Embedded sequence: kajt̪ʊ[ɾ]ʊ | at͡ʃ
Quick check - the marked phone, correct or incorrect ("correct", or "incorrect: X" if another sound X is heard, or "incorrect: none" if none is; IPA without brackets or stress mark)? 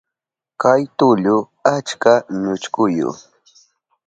incorrect: ʎ